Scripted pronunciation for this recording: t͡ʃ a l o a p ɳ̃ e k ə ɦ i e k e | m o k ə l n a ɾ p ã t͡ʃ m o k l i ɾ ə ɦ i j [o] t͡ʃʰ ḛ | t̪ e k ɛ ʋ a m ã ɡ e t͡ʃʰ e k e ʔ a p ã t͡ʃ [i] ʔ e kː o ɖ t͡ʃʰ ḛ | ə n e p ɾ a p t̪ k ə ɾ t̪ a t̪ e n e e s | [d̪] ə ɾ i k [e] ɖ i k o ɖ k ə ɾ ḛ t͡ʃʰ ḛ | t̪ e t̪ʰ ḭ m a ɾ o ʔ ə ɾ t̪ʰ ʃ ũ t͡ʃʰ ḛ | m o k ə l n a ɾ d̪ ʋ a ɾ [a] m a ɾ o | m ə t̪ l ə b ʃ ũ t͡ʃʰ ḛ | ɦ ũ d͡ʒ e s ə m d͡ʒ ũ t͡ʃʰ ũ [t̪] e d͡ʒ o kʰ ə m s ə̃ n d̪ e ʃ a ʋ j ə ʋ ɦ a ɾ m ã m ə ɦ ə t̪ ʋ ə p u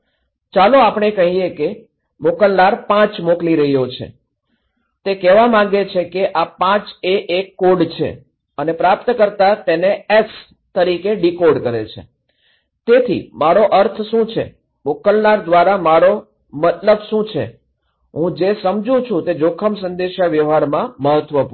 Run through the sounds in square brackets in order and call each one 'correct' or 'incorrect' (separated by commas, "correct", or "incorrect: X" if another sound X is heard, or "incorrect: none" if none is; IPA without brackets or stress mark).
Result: correct, incorrect: e, incorrect: t̪, correct, correct, correct